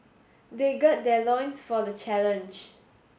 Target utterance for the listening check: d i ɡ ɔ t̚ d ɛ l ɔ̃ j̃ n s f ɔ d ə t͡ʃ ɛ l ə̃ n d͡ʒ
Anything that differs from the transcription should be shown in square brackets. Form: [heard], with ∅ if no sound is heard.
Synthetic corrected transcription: d [e] ɡ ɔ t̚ d ɛ l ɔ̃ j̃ n s f ɔ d ə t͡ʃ ɛ l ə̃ n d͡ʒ